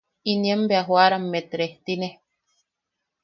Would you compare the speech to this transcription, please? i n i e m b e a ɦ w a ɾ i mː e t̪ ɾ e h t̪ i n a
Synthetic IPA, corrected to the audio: i n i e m b e a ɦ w a ɾ a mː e t̪ ɾ e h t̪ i n e